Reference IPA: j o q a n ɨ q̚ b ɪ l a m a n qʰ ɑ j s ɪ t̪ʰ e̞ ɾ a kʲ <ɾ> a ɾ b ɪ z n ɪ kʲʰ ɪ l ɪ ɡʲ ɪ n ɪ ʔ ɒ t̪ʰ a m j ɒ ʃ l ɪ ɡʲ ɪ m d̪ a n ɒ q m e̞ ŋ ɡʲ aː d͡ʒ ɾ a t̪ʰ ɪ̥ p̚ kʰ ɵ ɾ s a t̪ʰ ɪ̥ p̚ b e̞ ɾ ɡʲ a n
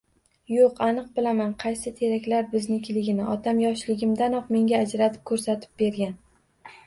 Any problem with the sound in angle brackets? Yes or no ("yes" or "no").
yes